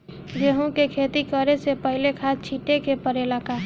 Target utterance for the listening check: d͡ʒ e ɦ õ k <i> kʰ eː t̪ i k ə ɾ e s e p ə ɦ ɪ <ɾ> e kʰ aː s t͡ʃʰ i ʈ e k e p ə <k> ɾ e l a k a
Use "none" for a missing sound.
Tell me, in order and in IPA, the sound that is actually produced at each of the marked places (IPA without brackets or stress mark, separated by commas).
e, l, none